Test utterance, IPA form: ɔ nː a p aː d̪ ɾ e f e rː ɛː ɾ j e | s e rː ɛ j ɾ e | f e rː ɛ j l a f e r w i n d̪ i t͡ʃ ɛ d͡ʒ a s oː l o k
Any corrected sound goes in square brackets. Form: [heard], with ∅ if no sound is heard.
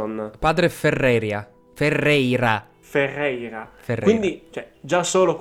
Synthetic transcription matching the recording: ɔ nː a p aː d̪ ɾ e f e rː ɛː ɾ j [a] | [f] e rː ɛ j ɾ [a] | f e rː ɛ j [ɾ] a f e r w i n d̪ i t͡ʃ ɛ d͡ʒ a s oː l o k